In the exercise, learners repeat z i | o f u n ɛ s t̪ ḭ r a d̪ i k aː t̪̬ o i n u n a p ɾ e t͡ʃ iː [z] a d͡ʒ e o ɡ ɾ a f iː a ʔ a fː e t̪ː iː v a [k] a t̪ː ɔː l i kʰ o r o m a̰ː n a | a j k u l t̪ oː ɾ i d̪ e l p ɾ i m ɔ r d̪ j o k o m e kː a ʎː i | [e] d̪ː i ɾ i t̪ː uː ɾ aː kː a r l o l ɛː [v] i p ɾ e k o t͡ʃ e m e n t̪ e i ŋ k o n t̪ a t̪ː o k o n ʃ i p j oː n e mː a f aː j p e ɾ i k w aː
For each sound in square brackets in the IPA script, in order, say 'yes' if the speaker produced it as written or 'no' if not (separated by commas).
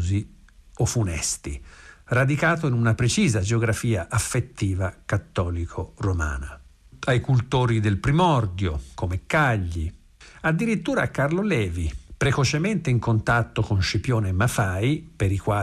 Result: yes, yes, no, yes